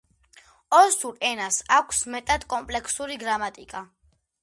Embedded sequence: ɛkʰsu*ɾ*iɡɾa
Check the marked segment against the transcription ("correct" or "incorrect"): correct